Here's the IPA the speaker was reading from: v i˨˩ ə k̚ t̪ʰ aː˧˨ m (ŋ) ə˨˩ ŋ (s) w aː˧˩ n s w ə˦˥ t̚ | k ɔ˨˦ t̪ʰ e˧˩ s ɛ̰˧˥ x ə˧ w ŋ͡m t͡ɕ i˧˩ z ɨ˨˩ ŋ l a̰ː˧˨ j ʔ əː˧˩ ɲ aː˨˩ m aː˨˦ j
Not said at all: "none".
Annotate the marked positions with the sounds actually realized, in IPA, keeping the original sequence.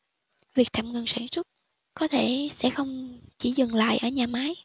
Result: ŋ, s

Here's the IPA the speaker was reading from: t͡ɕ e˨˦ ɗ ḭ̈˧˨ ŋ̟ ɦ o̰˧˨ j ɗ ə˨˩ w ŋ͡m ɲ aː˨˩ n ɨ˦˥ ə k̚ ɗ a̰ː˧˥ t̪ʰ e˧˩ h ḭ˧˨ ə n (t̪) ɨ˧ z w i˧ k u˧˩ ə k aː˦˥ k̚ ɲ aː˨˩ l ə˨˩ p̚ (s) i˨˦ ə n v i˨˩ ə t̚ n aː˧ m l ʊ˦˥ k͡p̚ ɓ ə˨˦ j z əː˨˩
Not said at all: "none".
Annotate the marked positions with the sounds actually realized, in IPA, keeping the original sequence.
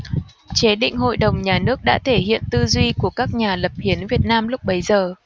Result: t̪, h

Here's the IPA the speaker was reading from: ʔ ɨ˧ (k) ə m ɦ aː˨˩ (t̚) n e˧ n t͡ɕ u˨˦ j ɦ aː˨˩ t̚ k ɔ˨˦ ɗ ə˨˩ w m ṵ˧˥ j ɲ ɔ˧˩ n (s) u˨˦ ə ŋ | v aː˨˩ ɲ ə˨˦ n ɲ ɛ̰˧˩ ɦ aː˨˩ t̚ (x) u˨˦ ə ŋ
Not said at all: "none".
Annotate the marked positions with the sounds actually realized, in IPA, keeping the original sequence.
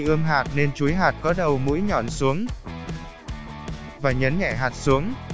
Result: none, t̚, s, s

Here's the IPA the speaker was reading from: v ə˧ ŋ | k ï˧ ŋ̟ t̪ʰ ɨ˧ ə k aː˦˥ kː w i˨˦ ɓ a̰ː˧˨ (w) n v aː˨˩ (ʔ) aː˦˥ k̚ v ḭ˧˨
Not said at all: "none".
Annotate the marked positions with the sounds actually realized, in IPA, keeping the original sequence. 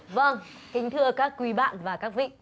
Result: none, k

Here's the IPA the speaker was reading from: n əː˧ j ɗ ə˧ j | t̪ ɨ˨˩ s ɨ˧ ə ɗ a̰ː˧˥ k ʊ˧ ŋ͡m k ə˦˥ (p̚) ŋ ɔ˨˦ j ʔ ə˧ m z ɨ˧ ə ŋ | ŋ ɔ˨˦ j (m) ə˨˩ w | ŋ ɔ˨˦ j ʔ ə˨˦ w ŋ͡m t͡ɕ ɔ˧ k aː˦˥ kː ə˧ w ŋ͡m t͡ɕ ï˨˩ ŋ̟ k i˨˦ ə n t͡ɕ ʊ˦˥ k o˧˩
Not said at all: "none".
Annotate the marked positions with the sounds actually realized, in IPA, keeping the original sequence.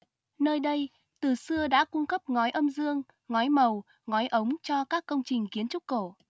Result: p̚, m

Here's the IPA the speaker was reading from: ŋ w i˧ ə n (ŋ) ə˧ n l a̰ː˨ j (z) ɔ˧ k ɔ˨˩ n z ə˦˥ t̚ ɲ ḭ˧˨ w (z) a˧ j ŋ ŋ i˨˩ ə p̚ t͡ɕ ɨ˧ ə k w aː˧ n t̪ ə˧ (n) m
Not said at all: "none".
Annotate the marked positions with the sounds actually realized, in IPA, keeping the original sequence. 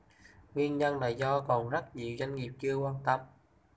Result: ɲ, z, z, none

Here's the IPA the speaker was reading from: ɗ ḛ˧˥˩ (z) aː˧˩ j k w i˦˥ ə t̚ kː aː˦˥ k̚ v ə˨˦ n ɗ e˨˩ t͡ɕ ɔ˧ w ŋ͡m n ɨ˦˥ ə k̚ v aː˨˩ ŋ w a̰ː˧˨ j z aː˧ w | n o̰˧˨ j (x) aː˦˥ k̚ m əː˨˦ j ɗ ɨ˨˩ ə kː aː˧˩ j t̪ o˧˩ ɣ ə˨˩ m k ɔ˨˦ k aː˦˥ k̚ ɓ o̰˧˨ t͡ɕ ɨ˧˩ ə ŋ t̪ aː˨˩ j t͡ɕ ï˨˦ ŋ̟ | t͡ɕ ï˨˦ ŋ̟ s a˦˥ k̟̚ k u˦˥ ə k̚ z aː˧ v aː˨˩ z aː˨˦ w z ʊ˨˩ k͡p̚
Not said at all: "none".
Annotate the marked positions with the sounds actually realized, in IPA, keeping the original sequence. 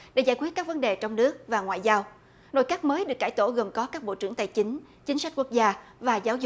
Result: z, k

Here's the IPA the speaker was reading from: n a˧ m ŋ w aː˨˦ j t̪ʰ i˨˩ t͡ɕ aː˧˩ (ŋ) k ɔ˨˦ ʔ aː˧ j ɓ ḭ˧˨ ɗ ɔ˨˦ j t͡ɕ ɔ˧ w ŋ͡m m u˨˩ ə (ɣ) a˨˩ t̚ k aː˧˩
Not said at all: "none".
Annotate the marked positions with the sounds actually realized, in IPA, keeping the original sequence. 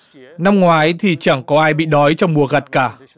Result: ŋ, ɣ

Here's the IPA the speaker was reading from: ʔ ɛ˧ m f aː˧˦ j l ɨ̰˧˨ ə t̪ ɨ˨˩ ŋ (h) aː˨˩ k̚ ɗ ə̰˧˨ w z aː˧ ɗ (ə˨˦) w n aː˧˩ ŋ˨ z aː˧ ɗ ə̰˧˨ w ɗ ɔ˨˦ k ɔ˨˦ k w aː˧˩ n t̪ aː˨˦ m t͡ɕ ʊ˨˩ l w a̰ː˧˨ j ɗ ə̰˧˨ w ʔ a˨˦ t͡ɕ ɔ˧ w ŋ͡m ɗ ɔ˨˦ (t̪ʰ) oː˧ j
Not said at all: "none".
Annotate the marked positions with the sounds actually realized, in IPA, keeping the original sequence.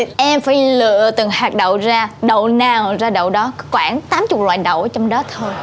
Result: h, ə˧˨, t̪ʰ

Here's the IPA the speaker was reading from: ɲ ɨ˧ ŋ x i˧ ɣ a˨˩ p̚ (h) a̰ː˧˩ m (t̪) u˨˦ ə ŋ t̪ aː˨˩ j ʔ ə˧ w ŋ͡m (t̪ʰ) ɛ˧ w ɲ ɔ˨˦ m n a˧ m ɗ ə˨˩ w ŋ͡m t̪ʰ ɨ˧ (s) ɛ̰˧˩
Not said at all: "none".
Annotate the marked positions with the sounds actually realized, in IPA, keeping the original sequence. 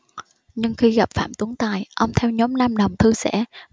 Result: f, t̪, t̪ʰ, s

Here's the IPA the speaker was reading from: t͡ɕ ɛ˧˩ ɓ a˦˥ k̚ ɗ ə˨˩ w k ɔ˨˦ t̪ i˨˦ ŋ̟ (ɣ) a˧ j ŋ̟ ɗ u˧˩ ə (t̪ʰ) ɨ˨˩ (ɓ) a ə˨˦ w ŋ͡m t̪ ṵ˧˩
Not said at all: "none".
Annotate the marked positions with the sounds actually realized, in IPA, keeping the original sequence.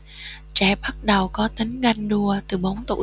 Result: ɣ, t̪, ɓ

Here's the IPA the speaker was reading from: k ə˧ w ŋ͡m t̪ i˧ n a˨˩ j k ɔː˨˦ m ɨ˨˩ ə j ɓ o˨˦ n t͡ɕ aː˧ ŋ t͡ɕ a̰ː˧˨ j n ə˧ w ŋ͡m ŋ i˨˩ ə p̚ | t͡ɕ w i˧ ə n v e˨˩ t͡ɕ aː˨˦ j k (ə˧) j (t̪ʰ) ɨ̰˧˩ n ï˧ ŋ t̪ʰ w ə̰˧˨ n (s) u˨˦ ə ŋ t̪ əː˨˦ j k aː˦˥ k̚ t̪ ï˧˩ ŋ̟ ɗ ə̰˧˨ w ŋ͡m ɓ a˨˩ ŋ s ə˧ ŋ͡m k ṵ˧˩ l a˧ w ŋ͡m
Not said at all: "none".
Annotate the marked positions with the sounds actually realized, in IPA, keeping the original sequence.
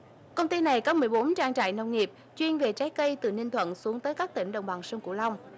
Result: ə˧, t̪, s

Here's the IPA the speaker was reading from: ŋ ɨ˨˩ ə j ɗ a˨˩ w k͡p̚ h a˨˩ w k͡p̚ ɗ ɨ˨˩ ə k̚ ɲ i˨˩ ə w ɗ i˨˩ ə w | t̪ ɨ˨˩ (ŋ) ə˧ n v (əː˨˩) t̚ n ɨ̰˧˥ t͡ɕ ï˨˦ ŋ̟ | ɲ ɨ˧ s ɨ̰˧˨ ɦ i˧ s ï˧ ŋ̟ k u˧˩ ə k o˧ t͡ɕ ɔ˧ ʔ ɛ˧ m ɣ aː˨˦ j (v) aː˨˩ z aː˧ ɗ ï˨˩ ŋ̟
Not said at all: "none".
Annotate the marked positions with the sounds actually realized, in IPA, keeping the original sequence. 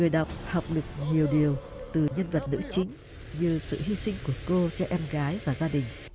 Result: ɲ, ə˨˩, v

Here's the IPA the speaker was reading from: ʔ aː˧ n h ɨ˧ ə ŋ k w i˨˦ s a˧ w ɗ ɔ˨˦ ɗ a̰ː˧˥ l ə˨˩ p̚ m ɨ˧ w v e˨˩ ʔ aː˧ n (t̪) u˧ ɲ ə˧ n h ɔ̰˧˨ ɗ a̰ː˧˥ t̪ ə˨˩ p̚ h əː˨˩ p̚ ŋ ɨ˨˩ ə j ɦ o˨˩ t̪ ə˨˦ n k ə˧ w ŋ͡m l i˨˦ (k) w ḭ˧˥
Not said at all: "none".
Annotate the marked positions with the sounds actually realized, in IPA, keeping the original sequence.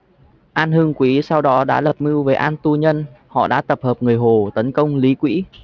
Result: t̪, k

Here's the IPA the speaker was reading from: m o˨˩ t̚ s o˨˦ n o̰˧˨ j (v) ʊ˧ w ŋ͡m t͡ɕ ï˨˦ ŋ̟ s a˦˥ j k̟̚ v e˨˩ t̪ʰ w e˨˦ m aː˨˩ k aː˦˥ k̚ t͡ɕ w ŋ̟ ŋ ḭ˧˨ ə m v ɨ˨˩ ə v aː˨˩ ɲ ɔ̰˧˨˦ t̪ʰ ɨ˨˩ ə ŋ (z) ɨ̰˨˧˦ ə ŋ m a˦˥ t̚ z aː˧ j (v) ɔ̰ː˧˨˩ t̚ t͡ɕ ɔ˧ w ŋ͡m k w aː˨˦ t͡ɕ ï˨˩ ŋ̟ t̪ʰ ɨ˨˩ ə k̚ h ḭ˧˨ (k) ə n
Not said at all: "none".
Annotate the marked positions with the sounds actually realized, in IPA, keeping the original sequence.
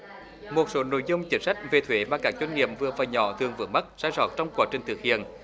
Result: z, v, z, none

